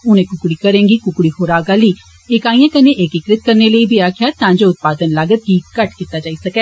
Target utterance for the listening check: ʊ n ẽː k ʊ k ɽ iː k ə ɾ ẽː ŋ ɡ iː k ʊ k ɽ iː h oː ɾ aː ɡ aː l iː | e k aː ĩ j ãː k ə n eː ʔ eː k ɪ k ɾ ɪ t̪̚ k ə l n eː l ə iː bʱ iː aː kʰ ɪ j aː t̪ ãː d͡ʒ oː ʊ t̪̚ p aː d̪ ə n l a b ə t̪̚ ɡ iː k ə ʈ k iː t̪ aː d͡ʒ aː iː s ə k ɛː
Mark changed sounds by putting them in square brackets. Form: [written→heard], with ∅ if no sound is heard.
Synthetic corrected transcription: ʊ n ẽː k ʊ k ɽ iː k ə ɾ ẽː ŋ ɡ iː k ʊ k ɽ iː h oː ɾ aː ɡ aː l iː | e k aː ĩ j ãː k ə n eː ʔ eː k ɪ k ɾ ɪ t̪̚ k ə [l→ɾ] n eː l ə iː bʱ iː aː kʰ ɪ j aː t̪ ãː d͡ʒ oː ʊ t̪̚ p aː d̪ ə n l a [b→ɡ] ə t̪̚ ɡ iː k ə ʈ k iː t̪ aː d͡ʒ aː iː s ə k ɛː